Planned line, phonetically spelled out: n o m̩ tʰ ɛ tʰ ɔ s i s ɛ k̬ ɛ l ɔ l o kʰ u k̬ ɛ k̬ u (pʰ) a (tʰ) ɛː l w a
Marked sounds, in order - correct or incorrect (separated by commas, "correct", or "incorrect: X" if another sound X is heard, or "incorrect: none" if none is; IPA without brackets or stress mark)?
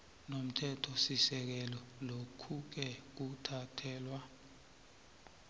incorrect: tʰ, correct